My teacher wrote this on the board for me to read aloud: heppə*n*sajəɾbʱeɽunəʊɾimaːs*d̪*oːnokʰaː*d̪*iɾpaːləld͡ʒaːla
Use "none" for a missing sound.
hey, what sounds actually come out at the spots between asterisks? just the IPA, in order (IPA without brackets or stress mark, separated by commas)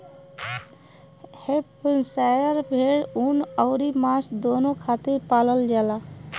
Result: n, d̪, t̪